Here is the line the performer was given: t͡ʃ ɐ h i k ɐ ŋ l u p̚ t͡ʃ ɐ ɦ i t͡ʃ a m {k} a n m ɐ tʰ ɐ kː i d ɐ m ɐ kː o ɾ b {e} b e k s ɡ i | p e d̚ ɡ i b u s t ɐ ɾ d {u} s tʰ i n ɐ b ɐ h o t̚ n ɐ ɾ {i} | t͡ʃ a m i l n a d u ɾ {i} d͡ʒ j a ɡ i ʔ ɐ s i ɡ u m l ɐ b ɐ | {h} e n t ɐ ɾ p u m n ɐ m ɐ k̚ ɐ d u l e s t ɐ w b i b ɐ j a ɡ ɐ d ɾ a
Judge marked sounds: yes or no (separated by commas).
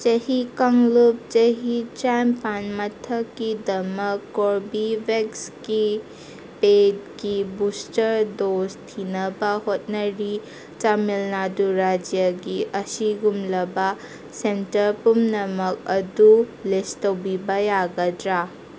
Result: no, no, no, yes, no, no